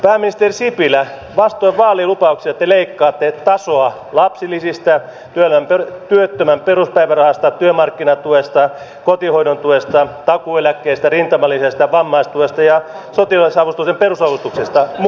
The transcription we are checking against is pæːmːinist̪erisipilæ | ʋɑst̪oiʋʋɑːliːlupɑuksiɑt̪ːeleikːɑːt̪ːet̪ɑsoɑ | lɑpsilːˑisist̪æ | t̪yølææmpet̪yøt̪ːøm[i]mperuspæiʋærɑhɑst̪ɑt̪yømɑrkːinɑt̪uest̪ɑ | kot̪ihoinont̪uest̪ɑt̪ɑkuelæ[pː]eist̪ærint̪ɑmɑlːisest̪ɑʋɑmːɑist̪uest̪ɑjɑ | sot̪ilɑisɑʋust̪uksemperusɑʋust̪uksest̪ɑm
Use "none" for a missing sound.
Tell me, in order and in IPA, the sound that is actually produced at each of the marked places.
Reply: æ, kː

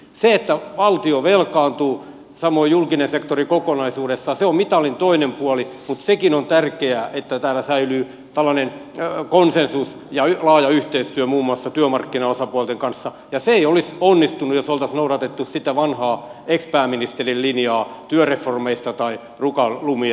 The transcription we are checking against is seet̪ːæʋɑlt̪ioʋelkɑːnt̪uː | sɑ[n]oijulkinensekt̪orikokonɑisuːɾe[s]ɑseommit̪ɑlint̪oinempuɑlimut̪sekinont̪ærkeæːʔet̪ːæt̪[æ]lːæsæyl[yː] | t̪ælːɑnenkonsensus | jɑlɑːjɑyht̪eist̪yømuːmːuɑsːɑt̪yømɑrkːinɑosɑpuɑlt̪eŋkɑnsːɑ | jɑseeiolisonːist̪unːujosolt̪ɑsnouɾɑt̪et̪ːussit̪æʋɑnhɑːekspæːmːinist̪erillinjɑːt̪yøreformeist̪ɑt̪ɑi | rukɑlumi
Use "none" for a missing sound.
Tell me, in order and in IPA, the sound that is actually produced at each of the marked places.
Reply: m, sː, æː, yː

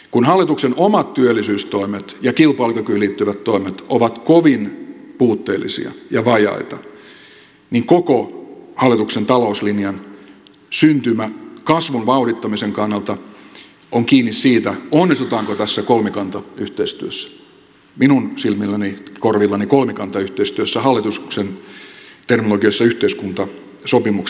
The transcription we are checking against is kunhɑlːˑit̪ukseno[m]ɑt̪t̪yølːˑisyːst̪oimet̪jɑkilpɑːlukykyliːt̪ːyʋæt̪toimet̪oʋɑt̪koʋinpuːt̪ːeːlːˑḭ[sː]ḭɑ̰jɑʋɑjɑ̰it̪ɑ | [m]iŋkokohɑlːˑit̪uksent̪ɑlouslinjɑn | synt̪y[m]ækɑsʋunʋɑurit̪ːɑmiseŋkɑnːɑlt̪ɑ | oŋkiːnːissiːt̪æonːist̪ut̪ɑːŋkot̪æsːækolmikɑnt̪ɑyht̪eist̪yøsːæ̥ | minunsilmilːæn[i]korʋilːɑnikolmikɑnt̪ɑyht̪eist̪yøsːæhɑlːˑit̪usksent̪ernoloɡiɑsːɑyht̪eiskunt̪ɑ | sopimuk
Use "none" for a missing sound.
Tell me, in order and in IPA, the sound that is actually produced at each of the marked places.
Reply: m, s, n, m, i

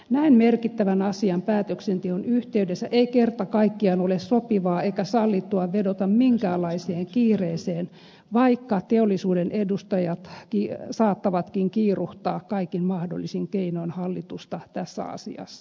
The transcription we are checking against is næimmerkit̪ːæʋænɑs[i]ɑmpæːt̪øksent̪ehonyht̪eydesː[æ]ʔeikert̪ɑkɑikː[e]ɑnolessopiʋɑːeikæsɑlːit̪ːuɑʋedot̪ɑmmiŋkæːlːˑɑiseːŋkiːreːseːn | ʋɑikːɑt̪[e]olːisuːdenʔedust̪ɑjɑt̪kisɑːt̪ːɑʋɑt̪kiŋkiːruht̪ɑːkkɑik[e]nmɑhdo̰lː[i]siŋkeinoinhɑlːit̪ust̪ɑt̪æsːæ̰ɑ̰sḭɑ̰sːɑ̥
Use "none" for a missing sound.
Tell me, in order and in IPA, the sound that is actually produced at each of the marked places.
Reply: i, æ, i, e, i, i

